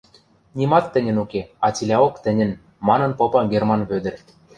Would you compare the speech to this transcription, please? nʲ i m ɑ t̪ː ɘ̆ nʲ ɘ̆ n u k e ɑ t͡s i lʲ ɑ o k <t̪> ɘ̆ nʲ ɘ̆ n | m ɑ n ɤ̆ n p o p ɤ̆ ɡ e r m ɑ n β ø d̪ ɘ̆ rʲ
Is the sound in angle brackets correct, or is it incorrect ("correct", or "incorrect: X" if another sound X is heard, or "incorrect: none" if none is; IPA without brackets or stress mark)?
correct